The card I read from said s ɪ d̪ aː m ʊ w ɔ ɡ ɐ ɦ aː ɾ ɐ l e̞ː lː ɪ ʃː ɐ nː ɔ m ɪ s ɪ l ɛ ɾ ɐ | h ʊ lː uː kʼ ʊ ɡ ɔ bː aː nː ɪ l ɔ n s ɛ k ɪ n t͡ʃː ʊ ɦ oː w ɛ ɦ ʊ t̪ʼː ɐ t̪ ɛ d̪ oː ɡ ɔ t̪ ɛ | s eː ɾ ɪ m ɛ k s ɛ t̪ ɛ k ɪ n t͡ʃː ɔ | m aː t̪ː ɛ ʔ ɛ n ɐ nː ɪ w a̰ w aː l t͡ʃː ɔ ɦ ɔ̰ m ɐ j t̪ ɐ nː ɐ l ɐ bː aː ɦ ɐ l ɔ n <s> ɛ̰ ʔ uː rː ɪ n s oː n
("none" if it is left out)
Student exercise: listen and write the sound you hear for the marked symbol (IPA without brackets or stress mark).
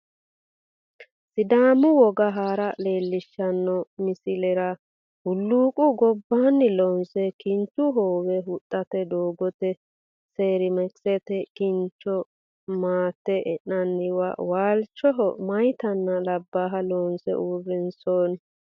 s